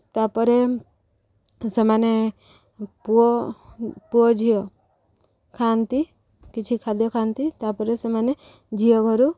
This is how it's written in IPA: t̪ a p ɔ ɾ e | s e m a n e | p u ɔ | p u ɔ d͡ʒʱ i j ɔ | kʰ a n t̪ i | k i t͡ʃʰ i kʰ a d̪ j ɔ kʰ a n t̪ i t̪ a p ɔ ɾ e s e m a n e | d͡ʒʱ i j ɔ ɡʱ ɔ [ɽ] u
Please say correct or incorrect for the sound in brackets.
incorrect